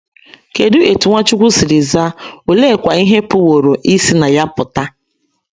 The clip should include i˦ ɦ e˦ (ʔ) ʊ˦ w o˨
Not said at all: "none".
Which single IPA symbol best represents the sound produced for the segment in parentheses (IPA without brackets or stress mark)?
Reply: p